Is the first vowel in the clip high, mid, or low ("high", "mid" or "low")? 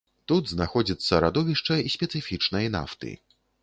high